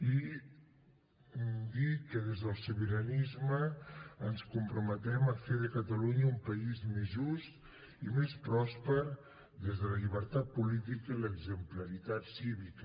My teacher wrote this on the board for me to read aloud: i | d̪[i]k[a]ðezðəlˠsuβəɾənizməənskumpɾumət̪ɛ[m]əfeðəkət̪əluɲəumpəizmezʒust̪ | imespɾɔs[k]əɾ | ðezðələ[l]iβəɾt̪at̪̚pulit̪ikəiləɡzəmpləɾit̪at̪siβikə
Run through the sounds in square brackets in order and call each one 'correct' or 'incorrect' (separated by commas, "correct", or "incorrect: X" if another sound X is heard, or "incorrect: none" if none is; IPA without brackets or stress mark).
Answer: correct, incorrect: ə, correct, incorrect: p, incorrect: ʎ